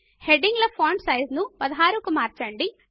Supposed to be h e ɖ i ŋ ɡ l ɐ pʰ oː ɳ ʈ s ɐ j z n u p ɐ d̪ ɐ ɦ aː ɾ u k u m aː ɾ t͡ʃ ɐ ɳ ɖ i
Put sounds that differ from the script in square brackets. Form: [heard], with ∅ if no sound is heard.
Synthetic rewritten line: h e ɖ i ŋ ɡ l ɐ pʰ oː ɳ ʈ s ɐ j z n u p ɐ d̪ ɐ ɦ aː ɾ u k u m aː ɾ t͡ʃ ɐ ɳ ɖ i